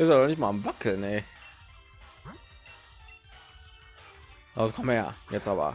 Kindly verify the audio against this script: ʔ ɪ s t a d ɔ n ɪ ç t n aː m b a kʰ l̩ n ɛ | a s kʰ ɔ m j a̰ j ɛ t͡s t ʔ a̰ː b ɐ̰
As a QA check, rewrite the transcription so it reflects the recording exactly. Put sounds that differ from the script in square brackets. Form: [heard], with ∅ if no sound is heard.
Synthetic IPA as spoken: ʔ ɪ s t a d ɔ n ɪ ç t [m] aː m [v] a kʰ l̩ n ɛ | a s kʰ ɔ m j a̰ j ɛ t͡s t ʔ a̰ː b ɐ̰